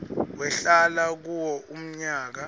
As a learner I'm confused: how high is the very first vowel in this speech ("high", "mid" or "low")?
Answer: mid